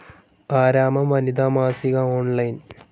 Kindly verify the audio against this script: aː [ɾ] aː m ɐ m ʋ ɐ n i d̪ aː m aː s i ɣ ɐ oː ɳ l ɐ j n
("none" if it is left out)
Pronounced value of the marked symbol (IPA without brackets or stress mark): ɾ